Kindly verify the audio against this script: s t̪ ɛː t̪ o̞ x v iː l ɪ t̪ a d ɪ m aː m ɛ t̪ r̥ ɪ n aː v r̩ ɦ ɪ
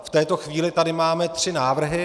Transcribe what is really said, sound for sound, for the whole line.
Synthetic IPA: f t̪ ɛː t̪ o̞ x v iː l ɪ t̪ a d ɪ m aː m ɛ t̪ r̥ ɪ n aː v r̩ ɦ ɪ